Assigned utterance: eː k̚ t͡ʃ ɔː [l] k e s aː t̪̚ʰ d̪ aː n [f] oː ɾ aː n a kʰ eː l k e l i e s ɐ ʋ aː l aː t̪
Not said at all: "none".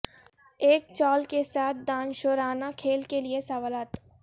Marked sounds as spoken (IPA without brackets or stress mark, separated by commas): l, ʃ